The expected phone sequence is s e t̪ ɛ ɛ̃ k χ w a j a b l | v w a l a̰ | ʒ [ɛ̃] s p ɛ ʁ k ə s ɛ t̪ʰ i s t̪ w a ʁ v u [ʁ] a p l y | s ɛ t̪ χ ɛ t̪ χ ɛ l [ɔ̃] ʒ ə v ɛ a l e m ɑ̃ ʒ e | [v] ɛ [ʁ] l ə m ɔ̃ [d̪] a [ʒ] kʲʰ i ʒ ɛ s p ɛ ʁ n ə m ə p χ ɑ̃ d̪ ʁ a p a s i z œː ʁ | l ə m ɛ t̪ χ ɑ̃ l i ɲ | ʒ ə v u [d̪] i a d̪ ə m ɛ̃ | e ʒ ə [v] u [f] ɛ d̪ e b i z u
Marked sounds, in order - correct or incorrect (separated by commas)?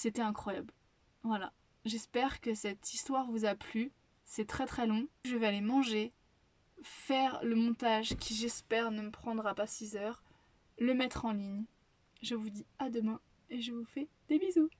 incorrect, incorrect, correct, incorrect, correct, incorrect, correct, correct, correct, correct